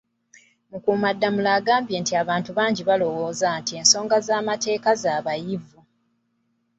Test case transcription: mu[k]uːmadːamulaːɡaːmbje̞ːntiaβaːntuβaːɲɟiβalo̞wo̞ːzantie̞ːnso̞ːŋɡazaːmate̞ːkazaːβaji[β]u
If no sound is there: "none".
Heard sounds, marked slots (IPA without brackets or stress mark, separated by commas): k, v